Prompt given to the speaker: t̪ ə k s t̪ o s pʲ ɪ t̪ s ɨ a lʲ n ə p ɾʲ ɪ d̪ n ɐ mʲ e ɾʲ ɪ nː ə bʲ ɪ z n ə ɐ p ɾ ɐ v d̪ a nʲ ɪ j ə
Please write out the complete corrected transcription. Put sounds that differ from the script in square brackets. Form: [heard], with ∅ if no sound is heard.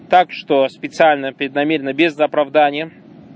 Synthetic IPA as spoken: t̪ [a] k [ʂ] t̪ o s pʲ ɪ t̪ s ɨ a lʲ n ə p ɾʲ ɪ d̪ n ɐ mʲ e ɾʲ ɪ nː ə bʲ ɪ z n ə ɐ p ɾ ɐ v d̪ a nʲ ɪ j ə